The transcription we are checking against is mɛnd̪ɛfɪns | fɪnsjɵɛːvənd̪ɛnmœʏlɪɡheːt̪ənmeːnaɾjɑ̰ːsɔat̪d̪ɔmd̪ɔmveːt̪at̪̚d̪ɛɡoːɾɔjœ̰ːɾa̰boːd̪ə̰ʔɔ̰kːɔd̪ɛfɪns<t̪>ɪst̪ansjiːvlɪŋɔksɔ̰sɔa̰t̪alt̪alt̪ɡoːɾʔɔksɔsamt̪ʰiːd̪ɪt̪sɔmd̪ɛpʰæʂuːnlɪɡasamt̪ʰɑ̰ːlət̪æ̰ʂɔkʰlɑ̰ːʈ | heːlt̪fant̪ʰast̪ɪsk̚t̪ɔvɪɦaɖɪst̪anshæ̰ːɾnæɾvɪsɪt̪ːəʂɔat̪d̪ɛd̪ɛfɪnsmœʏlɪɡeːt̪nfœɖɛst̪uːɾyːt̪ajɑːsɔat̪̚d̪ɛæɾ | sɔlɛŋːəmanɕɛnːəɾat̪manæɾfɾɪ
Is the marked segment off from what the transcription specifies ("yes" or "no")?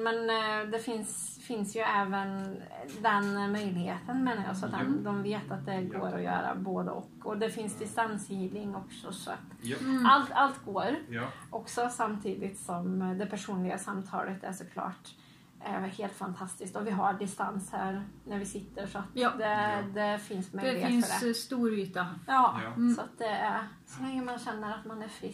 yes